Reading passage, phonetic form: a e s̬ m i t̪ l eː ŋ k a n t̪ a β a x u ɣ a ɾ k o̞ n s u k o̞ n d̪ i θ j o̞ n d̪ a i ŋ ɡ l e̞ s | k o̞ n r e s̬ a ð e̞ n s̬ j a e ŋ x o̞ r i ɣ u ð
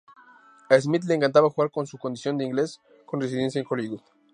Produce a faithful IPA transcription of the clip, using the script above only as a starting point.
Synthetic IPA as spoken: a e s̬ m i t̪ l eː ŋ k a n t̪ a β a x u ɣ a ɾ k o̞ n s u k o̞ n d̪ i s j o̞ n d̪ e i ŋ ɡ l e̞ s | k o̞ n r e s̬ i ð e̞ n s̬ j a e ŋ x o̞ l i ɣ u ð

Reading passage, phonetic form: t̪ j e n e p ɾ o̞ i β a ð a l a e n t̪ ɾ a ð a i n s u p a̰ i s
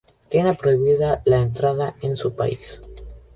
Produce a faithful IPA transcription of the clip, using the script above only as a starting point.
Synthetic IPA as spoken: t̪ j e n e p ɾ o̞ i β i ð a l a e n t̪ ɾ a ð a e n s u p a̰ i s

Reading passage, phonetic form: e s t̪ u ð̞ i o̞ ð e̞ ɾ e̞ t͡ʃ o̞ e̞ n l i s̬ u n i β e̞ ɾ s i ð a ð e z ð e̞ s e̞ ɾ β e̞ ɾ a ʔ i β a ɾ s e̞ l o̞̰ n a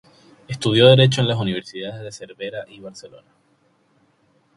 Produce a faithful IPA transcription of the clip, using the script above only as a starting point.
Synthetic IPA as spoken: e s t̪ u ð̞ j o̞ ð e̞ ɾ e̞ t͡ʃ o̞ e̞ n l a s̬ u n i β e̞ ɾ s i ð a ð e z ð e̞ s e̞ ɾ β e̞ ɾ a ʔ i β a ɾ s e̞ l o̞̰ n a

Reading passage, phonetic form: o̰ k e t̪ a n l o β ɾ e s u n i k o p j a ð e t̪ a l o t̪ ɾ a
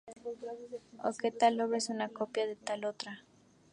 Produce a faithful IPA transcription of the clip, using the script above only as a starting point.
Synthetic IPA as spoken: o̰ k e t̪ a l o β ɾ e s u n a k o p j a ð e t̪ a l o t̪ ɾ a

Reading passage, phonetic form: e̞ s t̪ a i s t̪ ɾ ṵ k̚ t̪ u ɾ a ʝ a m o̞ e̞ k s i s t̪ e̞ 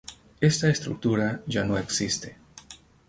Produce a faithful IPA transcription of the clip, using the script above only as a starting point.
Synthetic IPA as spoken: e̞ s t̪ a e s t̪ ɾ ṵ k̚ t̪ u ɾ a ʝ a n o̞ e̞ k s i s t̪ e̞

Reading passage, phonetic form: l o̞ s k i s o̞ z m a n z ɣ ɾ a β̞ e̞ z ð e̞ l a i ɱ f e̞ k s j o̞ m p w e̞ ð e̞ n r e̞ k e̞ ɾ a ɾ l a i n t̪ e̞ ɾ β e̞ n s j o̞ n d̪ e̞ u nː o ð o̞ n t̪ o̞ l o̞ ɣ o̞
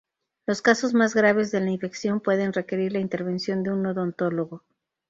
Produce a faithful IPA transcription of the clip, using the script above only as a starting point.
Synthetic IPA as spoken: l o̞ s k a s o̞ z m a z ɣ ɾ a β̞ e̞ z ð e̞ l a i ɱ f e̞ k s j o̞ m p w e̞ ð e̞ n r e̞ k e̞ ɾ i ɾ l a i n t̪ e̞ ɾ β e̞ n s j o̞ n d̪ e̞ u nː o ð o̞ n t̪ o̞ l o̞ ɣ o̞

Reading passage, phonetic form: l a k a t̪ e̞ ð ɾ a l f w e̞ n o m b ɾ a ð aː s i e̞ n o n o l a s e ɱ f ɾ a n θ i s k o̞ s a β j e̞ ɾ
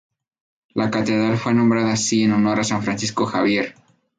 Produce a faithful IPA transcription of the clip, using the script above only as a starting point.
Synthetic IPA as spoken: l a k a t̪ e̞ ð ɾ a l f w e̞ n o m b ɾ a ð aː s i e̞ n o n o ɾ a s a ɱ f ɾ a n s i s k o̞ x a β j e̞ ɾ

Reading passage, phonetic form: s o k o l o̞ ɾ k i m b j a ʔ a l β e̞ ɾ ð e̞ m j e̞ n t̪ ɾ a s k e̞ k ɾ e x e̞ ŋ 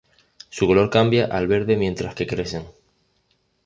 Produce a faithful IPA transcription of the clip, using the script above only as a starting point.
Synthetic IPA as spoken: s u k o l o̞ ɾ k a m b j a ʔ a l β e̞ ɾ ð e̞ m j e̞ n t̪ ɾ a s k e̞ k ɾ e s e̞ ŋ

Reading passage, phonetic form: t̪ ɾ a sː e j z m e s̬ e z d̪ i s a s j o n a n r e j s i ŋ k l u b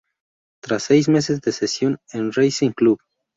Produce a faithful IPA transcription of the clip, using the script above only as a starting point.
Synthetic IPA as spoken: t̪ ɾ a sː e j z m e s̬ e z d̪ e s e s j o n e n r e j s i ŋ k l u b

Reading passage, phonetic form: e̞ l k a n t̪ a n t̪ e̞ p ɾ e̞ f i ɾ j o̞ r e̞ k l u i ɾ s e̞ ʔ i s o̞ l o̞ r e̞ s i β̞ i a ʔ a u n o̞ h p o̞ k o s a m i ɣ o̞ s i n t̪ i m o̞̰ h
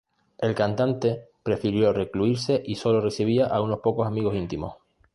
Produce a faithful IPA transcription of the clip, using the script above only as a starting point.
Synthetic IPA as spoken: e̞ l k a n t̪ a n t̪ e̞ p ɾ e̞ f i ɾ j o̞ r e̞ k l u i ɾ s e̞ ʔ i s o̞ l o̞ r e̞ s i β̞ i a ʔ a u n o̞ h p o̞ k o s a m i ɣ o̞ s i n t̪ i m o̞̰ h

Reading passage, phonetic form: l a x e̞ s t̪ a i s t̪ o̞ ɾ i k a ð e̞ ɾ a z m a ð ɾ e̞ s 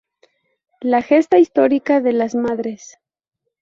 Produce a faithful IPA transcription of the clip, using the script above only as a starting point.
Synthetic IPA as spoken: l a x e̞ s t̪ a i s t̪ o̞ ɾ i k a ð e̞ l a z m a ð ɾ e̞ s

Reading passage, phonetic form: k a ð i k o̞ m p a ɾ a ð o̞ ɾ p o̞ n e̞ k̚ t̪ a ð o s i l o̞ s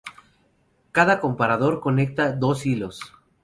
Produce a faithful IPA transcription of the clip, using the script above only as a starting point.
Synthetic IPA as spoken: k a ð a k o̞ m p a ɾ a ð o̞ ɾ k o̞ n e̞ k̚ t̪ a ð o s i l o̞ s

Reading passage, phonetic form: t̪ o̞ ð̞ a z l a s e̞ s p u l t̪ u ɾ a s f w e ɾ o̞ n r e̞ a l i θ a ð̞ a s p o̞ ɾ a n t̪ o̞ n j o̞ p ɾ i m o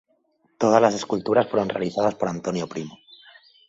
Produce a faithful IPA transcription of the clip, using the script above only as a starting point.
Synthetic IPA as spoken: t̪ o̞ ð̞ a z l a s e̞ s k u l t̪ u ɾ a s f w e ɾ o̞ n r e̞ a l i θ a ð̞ a s p o̞ ɾ a n t̪ o̞ n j o̞ p ɾ i m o

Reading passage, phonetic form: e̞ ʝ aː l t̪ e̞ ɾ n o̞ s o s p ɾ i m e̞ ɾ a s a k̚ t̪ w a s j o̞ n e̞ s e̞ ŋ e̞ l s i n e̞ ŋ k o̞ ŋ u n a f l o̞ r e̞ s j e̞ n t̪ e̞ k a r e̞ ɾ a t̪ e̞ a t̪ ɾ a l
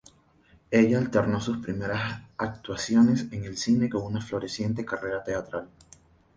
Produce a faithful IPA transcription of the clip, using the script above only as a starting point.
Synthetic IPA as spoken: e̞ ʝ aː l t̪ e̞ ɾ n o̞ s u s p ɾ i m e̞ ɾ a s a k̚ t̪ w a s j o̞ n e̞ s e̞ ŋ e̞ l s i n e̞ k o̞ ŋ u n a f l o̞ ɾ e̞ s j e̞ n t̪ e̞ k a r e̞ ɾ a t̪ e̞ a t̪ ɾ a l

